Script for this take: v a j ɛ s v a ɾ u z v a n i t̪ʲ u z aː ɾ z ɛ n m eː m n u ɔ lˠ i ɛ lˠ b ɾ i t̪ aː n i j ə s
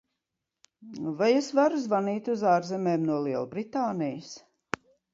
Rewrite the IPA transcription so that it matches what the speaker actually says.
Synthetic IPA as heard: v a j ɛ s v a ɾ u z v a n iː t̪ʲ u z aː ɾ z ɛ m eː m n u ɔ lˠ i ɛ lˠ b ɾ i t̪ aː n i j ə s